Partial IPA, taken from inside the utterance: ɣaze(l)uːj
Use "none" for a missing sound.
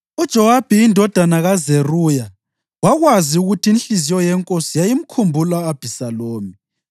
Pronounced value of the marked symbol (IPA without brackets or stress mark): r